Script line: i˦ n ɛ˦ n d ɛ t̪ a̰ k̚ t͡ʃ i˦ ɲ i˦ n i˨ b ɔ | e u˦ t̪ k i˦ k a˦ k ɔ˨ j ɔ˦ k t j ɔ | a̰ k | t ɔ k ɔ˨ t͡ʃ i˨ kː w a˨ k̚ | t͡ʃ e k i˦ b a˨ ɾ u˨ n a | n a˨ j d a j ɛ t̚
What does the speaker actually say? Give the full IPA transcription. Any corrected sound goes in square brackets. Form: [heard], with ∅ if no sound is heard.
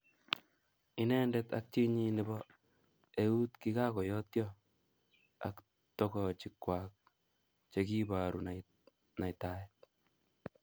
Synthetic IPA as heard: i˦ n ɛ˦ n d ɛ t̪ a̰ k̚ t͡ʃ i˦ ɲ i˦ n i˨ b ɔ | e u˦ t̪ k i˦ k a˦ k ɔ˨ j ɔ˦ [∅] t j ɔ | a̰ k | t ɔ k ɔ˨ t͡ʃ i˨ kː w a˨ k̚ | t͡ʃ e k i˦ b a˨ ɾ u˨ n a | n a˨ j [t] a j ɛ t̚